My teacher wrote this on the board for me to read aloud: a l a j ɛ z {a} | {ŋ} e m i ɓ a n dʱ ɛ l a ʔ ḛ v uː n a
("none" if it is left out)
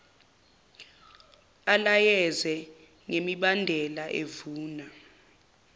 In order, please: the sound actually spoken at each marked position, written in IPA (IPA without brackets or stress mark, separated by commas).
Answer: ɛ, ŋ